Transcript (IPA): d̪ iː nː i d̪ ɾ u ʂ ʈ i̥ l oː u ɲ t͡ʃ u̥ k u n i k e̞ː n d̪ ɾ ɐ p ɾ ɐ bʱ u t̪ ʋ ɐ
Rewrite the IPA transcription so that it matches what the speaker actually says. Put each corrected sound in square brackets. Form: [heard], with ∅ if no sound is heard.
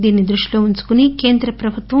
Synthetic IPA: d̪ iː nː i d̪ ɾ u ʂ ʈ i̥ l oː u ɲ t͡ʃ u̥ k u n i k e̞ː n d̪ ɾ ɐ p ɾ ɐ bʱ u t̪ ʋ ɐ